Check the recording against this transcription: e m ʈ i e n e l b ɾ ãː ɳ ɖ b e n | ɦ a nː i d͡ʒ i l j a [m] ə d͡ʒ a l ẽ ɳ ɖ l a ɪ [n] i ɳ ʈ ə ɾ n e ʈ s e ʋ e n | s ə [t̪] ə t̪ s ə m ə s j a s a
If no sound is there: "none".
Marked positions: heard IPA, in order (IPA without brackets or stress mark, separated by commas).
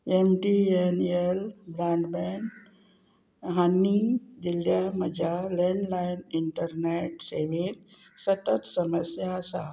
m, n, t̪